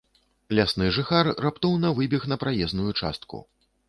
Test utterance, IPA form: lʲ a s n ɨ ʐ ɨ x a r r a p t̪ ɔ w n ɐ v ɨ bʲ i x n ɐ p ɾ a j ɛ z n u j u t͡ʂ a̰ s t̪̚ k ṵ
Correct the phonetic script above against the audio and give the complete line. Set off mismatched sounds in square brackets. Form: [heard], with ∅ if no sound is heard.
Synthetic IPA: lʲ a s n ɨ ʐ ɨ x a r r a p t̪ ɔ w n ɐ v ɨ bʲ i x n ɐ p ɾ a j ɛ z n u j u t͡ʂ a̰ s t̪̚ k ṵ